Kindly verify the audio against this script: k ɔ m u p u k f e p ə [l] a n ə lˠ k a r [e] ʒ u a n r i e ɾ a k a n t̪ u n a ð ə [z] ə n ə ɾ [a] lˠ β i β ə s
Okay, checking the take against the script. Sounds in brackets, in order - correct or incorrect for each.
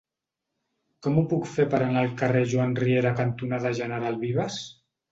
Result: incorrect: ɾ, correct, incorrect: ʒ, correct

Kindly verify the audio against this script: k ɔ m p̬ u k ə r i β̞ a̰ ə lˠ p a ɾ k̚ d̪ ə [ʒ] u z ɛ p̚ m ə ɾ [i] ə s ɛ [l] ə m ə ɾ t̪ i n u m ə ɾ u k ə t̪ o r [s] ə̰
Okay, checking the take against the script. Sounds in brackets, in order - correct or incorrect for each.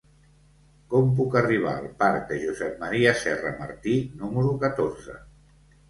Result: correct, correct, incorrect: r, incorrect: z

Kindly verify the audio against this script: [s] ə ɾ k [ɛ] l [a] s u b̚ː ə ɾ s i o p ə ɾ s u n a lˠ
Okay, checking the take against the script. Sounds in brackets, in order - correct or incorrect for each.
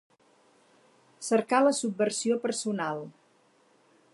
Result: correct, incorrect: a, incorrect: ə

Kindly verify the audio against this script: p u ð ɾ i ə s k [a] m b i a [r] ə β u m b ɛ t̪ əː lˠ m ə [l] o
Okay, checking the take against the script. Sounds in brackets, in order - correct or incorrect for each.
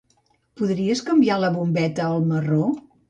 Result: incorrect: ə, incorrect: l, incorrect: r

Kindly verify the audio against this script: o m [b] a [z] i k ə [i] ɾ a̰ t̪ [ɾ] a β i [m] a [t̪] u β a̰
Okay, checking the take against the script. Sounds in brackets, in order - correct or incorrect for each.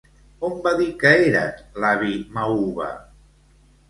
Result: correct, incorrect: ð, incorrect: e, incorrect: l, correct, incorrect: none

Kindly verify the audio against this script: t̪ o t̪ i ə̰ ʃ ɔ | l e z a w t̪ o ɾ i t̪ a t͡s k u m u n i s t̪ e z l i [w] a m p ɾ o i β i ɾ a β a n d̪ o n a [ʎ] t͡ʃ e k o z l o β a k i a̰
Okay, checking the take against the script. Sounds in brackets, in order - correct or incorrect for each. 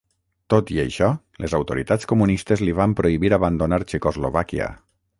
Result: incorrect: β, incorrect: ɾ

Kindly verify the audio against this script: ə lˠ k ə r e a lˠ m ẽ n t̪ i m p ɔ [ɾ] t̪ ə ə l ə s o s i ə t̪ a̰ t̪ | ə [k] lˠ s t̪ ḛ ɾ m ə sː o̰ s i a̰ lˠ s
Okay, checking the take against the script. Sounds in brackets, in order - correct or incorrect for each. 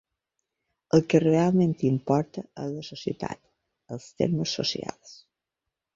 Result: correct, incorrect: none

